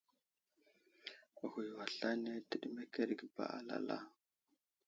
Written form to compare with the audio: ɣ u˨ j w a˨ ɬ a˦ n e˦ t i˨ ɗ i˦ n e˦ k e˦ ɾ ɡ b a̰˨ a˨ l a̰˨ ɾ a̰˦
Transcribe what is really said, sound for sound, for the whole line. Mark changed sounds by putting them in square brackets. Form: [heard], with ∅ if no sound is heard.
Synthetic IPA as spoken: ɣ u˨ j w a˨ ɬ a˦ n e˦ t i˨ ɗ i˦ [m] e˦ k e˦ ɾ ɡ b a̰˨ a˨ l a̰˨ [l] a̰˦